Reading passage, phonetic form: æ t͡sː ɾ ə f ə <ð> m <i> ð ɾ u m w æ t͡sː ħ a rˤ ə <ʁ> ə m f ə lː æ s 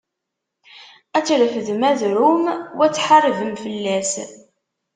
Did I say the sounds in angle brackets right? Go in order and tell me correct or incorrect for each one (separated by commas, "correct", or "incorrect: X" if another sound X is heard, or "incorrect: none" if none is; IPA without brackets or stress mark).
correct, incorrect: æ, incorrect: v